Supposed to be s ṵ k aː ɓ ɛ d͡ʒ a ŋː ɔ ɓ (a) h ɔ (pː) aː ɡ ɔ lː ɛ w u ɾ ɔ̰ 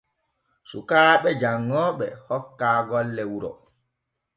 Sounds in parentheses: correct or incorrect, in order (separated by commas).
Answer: incorrect, incorrect